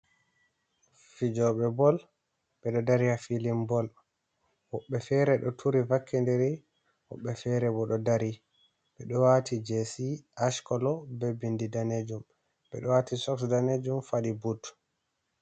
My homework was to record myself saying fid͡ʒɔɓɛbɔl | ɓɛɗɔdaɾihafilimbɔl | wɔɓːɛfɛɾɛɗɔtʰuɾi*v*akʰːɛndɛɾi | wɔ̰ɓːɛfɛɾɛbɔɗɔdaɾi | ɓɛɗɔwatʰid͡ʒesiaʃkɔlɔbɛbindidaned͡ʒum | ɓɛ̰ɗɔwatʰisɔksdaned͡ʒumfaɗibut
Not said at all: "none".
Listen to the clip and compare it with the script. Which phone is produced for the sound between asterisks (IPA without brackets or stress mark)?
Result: v